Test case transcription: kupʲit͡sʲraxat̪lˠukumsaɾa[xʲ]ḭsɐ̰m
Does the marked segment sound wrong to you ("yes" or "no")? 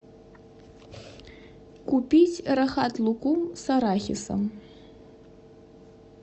no